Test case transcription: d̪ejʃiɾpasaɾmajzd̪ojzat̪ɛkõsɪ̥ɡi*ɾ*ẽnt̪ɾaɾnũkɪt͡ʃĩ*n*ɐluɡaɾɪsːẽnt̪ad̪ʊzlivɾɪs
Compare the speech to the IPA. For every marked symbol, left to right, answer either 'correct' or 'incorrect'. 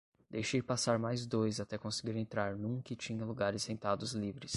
correct, incorrect: ɲ

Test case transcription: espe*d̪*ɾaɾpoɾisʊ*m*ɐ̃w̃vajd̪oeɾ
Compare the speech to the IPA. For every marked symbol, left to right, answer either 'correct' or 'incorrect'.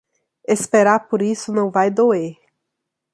incorrect: none, incorrect: n

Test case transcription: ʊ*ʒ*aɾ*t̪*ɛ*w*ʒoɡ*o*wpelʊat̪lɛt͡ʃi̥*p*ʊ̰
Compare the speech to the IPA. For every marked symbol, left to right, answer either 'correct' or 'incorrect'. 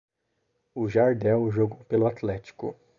correct, incorrect: d̪, correct, correct, incorrect: k

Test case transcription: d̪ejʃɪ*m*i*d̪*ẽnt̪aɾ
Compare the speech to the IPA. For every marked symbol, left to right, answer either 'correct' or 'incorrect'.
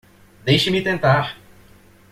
correct, incorrect: t̪

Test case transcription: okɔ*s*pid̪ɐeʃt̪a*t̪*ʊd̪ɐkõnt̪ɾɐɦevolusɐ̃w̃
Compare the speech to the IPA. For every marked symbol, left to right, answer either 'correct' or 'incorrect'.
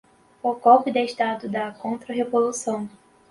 incorrect: none, incorrect: d̪

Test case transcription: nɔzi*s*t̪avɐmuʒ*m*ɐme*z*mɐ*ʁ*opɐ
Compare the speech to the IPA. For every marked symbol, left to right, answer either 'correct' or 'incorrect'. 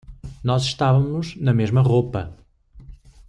incorrect: ʃ, incorrect: n, incorrect: ʒ, correct

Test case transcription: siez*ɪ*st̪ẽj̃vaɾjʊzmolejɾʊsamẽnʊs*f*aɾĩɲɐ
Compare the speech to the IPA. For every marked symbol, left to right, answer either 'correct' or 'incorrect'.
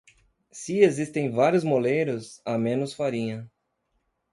incorrect: i, correct

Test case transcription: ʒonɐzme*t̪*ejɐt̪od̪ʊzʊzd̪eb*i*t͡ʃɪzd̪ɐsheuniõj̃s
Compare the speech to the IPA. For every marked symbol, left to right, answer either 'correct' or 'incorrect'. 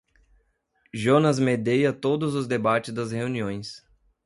incorrect: d̪, incorrect: a

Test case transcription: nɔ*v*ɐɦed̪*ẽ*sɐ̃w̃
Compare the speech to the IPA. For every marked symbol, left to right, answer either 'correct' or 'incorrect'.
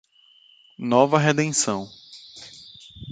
correct, correct

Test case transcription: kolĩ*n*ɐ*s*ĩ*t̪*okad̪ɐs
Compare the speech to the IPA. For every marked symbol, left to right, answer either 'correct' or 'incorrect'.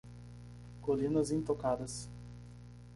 correct, incorrect: z, correct

